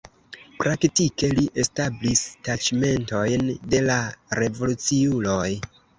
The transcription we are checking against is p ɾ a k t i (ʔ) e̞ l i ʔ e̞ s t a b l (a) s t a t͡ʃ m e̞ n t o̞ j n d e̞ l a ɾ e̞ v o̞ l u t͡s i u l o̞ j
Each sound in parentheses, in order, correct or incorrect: incorrect, incorrect

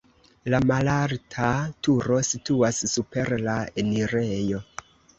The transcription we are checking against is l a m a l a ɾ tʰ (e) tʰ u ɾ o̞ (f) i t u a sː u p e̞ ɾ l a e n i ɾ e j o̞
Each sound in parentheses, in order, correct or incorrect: incorrect, incorrect

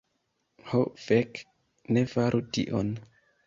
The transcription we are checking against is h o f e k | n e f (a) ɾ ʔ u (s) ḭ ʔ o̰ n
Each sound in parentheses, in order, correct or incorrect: correct, incorrect

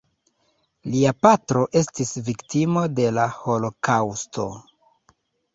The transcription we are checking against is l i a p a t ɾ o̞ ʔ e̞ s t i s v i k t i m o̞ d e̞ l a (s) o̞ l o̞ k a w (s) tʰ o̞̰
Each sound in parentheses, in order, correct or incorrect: incorrect, correct

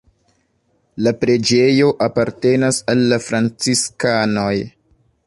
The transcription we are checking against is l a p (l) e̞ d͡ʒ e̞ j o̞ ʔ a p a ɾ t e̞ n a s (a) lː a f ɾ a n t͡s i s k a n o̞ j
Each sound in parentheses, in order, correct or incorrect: incorrect, correct

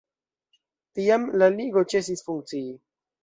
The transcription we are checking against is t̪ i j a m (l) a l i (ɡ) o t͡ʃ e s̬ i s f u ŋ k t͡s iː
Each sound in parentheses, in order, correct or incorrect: correct, correct

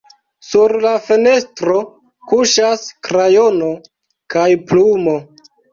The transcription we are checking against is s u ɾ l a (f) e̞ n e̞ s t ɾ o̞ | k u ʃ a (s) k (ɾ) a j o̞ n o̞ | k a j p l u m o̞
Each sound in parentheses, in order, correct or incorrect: correct, correct, correct

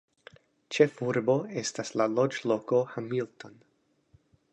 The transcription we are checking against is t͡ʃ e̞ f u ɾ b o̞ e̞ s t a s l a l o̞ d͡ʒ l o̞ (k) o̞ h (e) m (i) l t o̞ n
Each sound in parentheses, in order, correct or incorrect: correct, incorrect, correct

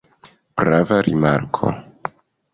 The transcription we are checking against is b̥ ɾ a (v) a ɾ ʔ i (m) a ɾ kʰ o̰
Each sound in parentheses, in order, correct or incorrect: correct, correct

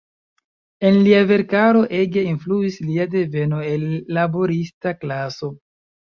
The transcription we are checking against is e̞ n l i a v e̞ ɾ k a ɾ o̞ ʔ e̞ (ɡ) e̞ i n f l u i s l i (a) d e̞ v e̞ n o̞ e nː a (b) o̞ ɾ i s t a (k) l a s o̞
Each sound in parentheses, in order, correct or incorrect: correct, correct, correct, correct

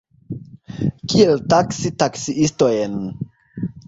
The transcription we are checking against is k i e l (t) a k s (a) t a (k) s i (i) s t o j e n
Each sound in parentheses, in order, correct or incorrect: correct, incorrect, correct, correct

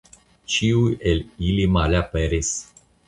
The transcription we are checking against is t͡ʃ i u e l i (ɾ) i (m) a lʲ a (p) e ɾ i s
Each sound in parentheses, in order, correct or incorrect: incorrect, correct, correct

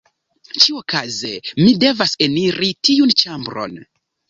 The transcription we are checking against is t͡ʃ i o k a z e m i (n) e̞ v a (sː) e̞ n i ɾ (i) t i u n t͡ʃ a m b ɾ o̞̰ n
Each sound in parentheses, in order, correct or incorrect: incorrect, incorrect, correct

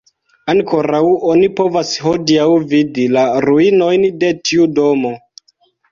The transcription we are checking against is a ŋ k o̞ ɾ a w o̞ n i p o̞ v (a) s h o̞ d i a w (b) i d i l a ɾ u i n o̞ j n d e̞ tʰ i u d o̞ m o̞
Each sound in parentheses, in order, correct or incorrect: correct, incorrect

